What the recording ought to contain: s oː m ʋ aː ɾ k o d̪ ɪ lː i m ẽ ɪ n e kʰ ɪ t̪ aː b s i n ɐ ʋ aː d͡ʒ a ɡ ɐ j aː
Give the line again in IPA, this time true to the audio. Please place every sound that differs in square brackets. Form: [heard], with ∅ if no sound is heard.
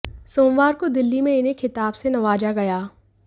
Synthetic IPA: s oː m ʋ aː ɾ k o d̪ ɪ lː i m ẽ ɪ n e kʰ ɪ t̪ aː b s [e] n ɐ ʋ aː d͡ʒ a ɡ ɐ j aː